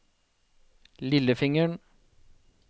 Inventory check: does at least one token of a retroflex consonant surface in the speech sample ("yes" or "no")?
yes